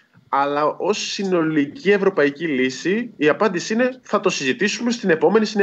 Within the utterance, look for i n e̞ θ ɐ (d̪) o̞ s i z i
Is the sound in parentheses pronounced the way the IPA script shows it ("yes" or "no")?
no